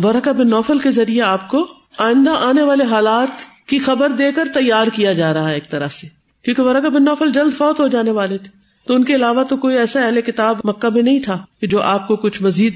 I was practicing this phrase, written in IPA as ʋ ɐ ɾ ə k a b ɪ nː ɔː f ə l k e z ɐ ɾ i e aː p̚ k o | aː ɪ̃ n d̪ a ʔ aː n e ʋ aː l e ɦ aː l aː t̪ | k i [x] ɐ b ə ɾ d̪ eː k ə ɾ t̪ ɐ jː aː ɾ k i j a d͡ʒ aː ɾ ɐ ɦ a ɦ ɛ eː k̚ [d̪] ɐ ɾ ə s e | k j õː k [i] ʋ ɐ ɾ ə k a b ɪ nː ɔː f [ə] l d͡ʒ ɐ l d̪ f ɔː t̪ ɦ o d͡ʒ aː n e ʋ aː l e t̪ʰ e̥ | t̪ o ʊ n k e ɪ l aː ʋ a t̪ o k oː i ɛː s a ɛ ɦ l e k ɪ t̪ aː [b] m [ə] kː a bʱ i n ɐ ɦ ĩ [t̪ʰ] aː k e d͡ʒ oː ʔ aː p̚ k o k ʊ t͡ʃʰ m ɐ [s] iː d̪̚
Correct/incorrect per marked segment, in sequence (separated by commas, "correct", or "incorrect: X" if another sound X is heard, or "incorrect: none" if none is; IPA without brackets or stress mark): correct, incorrect: t̪, incorrect: e, correct, correct, incorrect: ɐ, correct, incorrect: z